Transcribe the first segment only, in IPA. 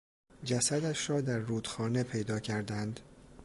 d͡ʒ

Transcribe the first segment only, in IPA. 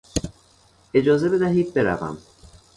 e̞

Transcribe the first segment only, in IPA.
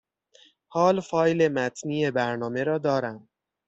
h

